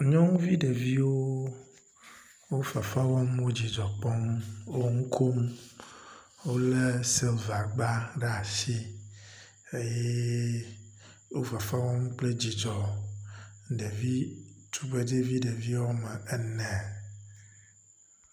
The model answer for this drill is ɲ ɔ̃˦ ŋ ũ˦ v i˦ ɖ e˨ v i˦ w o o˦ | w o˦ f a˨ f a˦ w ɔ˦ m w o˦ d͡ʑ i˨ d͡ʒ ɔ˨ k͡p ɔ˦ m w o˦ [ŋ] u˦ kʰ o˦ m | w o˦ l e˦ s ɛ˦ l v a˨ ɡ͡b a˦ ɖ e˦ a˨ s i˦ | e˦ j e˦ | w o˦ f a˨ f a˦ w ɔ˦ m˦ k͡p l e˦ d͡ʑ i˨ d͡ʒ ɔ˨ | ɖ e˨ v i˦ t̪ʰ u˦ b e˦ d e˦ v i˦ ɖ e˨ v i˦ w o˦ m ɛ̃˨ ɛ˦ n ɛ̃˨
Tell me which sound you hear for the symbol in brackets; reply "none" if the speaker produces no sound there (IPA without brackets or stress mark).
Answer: ŋ